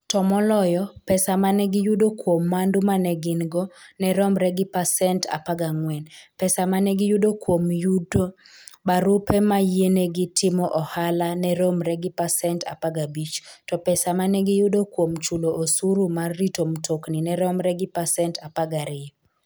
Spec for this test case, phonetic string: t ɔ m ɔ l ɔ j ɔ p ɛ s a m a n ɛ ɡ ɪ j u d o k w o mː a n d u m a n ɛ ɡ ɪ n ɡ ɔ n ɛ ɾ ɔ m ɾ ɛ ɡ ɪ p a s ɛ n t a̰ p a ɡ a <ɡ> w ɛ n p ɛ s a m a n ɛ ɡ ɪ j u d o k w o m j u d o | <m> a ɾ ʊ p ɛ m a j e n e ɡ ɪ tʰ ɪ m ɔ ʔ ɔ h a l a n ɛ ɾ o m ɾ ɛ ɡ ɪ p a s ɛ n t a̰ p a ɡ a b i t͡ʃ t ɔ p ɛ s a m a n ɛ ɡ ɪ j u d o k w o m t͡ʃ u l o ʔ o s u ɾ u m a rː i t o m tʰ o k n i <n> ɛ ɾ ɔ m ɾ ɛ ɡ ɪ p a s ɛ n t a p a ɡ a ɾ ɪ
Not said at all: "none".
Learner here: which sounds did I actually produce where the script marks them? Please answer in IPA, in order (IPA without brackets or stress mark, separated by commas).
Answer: ŋ, b, n